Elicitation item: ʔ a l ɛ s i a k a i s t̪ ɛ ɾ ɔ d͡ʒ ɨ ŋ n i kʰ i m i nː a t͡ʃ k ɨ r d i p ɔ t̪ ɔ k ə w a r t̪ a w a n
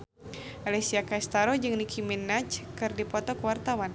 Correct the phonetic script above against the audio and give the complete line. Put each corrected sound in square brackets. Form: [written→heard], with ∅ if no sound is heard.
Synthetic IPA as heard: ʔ a l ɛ s i a k a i s t̪ [ɛ→a] ɾ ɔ d͡ʒ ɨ ŋ n i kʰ i m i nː a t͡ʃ k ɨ r d i p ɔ t̪ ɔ k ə w a r t̪ a w a n